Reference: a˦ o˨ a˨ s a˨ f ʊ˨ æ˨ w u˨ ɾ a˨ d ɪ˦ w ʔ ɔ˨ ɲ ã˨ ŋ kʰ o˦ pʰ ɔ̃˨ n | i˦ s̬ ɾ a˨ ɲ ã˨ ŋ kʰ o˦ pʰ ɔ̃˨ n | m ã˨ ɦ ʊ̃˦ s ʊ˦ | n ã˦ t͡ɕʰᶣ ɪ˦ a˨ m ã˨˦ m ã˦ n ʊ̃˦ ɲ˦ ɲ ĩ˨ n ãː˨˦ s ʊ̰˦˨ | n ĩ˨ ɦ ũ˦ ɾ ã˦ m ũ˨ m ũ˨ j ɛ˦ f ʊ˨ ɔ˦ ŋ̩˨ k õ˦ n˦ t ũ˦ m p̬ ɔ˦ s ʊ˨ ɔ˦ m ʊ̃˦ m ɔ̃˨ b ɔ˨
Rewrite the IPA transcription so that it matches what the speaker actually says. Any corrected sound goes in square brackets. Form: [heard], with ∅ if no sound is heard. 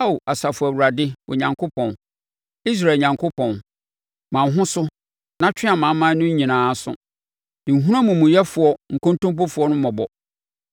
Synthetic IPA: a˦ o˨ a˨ s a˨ f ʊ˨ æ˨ w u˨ ɾ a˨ d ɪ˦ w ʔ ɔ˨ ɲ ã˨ ŋ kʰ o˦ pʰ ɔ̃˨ n | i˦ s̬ ɾ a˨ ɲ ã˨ ŋ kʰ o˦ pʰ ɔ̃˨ n | m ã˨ ɦ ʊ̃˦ s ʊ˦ | n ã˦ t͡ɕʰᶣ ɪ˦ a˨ m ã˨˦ m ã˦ n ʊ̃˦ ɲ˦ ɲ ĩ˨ n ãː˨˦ s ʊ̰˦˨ | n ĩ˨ ɦ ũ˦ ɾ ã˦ m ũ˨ m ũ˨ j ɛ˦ f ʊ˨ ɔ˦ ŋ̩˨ k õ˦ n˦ t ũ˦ m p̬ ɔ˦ [f] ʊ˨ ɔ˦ [n] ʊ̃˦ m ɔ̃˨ b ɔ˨